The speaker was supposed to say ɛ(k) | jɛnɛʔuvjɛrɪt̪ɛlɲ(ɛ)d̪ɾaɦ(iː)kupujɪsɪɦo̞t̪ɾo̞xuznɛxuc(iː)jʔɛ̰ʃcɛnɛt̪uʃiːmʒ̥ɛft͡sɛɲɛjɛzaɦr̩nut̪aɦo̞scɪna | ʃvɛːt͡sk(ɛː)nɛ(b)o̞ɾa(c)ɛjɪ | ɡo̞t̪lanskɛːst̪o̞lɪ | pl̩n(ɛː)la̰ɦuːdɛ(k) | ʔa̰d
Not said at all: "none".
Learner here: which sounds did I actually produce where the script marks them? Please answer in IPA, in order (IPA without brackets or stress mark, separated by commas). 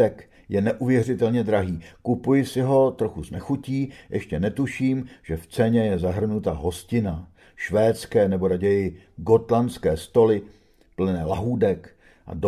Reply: k, ɛ, iː, iː, ɛː, b, ɟ, ɛː, k